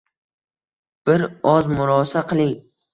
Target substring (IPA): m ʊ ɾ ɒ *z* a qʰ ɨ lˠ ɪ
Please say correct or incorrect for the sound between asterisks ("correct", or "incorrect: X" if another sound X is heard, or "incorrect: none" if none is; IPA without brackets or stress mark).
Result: incorrect: s